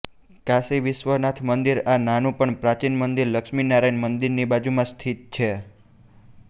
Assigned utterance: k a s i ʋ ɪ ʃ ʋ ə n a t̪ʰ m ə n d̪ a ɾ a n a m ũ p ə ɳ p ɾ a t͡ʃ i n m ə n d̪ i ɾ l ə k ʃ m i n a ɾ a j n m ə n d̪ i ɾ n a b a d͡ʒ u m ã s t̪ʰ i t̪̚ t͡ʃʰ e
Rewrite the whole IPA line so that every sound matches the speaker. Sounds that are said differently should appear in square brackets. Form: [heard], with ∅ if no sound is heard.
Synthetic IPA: k a s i ʋ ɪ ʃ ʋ ə n a t̪ʰ m ə n d̪ [i] ɾ a n a [n] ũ p ə ɳ p ɾ a t͡ʃ i n m ə n d̪ i ɾ l ə k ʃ m i n a ɾ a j n m ə n d̪ i ɾ n [i] b a d͡ʒ u m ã s t̪ʰ i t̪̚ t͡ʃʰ e